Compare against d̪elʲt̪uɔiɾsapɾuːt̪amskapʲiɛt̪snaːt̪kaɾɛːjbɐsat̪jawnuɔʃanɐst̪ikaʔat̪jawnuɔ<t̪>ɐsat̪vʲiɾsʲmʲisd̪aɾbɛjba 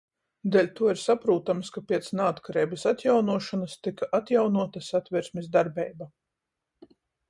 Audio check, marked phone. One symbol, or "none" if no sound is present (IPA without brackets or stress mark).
t̪